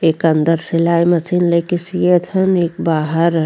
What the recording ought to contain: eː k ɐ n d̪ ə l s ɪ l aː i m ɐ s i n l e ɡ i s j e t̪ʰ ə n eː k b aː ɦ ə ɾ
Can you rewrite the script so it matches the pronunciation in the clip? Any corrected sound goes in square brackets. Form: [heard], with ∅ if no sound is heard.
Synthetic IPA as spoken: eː k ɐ n d̪ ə [ɾ] s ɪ l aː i m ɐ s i n l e [k] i s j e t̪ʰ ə n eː k b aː ɦ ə ɾ